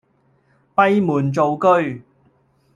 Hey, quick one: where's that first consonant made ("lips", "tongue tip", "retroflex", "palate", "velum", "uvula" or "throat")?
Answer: lips